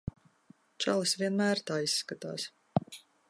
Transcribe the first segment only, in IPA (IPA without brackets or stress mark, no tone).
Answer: t͡ʃ